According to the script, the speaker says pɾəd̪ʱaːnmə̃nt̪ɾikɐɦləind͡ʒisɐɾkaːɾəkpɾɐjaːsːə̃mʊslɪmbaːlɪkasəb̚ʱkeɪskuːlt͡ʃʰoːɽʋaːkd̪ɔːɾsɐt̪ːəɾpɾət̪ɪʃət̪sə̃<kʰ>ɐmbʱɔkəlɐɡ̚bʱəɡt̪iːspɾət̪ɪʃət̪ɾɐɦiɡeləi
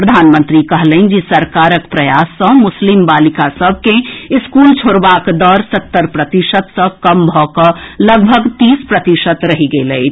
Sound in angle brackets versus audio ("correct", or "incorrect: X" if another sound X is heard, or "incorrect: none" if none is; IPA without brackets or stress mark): incorrect: k